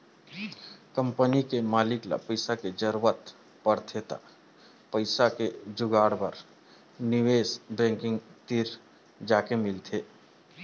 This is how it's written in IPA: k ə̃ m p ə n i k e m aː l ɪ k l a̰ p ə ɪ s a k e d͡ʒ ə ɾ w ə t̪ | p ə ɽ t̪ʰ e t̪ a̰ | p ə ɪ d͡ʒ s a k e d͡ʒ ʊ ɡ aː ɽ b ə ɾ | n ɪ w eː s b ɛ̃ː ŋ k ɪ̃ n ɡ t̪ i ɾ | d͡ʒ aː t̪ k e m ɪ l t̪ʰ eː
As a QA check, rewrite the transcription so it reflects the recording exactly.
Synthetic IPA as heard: k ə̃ m p ə n i k e m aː l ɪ k l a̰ p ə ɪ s a k e d͡ʒ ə ɾ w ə t̪ | p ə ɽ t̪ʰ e t̪ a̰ | p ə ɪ s a k e d͡ʒ ʊ ɡ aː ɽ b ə ɾ | n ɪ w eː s b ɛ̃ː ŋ k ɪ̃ ŋ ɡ t̪ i ɾ | d͡ʒ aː k e m ɪ l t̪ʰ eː